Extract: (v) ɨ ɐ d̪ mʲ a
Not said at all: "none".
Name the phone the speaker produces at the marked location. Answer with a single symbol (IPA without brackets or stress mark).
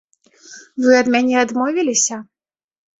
v